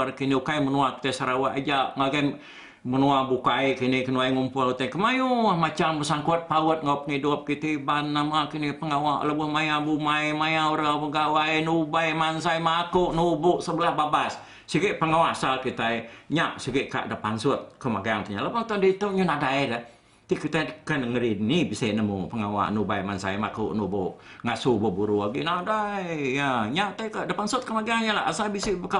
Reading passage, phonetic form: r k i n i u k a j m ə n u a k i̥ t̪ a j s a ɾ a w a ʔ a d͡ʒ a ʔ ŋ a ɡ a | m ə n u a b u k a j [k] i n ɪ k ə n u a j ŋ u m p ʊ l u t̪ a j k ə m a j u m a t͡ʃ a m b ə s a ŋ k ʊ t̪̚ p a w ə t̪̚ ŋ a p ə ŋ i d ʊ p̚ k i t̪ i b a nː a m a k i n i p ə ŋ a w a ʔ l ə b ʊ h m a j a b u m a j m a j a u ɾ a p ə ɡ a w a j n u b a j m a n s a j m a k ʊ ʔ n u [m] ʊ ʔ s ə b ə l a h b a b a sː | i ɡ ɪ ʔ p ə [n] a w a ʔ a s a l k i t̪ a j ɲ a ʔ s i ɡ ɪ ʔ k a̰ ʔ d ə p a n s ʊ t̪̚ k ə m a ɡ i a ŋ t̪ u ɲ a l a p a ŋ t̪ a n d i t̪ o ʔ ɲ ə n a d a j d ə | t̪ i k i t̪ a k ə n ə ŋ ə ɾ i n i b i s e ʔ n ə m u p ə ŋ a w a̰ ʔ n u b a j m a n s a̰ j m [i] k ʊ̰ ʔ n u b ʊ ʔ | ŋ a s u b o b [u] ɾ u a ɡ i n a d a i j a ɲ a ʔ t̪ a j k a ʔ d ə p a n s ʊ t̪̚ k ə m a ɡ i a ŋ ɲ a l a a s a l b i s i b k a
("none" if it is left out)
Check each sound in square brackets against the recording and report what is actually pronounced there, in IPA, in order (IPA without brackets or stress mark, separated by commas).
k, b, ŋ, a, u